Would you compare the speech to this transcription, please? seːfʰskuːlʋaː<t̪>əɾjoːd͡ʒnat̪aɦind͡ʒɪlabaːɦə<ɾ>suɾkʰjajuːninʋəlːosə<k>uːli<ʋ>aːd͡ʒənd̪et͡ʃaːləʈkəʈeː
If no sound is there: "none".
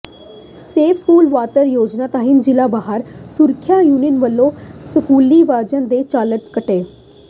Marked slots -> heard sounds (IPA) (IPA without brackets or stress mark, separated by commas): t̪, ɾ, k, ʋ